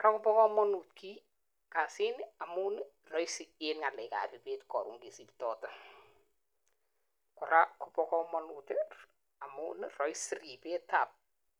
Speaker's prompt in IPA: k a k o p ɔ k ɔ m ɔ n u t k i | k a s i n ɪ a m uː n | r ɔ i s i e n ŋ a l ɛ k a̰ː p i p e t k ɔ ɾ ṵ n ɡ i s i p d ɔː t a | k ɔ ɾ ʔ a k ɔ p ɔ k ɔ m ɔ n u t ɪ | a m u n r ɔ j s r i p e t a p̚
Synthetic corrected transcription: k a k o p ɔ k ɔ m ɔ n u t k i | k a s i n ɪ a m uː n | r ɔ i s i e n ŋ a l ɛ k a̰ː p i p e t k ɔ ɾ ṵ ŋ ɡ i s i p t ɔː t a | k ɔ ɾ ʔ a k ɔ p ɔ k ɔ m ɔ n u t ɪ | a m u n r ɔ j s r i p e t a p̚